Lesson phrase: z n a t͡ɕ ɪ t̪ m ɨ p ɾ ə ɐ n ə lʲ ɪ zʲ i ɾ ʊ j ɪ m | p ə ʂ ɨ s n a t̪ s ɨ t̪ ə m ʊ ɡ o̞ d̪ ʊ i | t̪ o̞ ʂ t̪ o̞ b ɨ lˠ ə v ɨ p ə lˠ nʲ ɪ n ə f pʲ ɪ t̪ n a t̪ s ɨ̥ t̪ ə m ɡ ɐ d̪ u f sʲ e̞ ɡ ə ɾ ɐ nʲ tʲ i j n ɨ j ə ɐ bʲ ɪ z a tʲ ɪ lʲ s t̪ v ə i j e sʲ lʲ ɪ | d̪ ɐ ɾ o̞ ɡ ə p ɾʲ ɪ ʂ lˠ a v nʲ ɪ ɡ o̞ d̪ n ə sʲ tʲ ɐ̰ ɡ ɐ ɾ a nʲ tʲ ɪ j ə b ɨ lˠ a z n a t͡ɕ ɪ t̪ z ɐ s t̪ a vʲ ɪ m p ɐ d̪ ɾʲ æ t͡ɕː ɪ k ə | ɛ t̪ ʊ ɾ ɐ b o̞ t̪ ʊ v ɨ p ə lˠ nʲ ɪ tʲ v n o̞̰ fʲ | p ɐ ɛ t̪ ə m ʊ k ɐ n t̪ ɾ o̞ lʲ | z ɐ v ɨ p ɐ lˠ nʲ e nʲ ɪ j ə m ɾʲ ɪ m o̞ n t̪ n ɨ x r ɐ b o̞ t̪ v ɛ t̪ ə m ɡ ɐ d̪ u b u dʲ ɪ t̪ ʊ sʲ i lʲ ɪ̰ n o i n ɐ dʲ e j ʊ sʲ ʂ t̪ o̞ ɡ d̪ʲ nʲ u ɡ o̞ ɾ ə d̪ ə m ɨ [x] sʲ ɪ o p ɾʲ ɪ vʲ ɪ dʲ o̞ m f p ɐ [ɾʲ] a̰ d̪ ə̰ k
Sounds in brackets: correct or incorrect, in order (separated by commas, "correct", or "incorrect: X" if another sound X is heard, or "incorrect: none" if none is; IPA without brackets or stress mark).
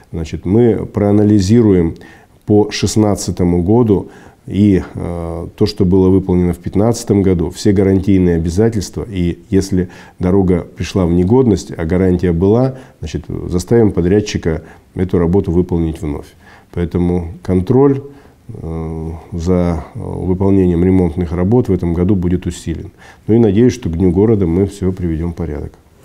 incorrect: f, correct